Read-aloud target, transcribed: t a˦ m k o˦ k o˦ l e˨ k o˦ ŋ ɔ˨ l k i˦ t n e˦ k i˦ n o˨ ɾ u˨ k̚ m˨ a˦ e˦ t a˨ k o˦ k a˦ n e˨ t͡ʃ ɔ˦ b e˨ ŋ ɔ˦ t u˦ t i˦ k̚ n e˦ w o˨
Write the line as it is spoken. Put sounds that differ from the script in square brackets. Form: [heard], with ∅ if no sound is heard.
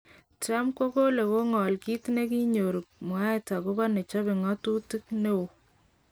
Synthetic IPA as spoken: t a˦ m k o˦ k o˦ l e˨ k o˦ ŋ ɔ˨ l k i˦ t n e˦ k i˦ [ɲ] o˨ ɾ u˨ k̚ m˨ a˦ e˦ t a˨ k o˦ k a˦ n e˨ t͡ʃ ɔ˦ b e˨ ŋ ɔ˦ t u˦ t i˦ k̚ n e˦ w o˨